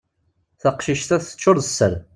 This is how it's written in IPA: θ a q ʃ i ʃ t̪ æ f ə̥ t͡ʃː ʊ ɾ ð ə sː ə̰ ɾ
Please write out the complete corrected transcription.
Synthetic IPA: θ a q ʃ i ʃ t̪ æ θ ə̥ t͡ʃː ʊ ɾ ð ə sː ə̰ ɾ